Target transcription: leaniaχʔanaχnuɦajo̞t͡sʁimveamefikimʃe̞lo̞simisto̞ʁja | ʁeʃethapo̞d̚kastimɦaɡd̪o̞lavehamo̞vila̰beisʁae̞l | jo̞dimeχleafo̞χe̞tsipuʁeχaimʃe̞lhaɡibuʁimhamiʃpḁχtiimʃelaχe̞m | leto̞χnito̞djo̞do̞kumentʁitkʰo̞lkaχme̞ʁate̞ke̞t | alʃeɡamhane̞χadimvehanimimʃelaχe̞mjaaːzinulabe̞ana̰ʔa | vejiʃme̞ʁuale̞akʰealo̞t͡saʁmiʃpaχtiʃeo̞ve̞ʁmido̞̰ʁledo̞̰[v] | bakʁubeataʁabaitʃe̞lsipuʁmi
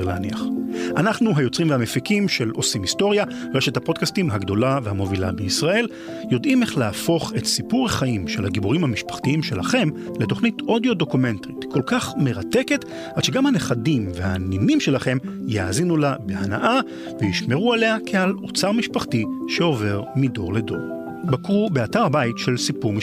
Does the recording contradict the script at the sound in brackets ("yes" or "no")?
yes